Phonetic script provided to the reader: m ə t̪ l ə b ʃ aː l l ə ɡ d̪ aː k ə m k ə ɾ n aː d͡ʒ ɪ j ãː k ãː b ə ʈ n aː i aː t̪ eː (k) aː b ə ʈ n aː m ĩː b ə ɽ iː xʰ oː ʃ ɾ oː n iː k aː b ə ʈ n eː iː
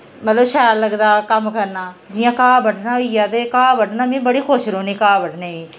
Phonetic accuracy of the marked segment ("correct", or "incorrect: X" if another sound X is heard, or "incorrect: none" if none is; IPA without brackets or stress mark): correct